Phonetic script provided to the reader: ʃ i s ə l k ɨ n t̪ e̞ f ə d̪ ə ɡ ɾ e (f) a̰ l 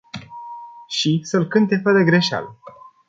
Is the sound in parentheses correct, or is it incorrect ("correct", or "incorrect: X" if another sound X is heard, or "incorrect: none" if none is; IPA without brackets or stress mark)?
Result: incorrect: ʃ